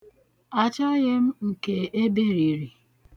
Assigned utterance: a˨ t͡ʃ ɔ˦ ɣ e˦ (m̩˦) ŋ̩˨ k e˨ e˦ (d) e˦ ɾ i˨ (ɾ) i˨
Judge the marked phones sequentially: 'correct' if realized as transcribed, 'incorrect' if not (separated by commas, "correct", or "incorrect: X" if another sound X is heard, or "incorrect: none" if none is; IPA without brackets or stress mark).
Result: correct, incorrect: b, correct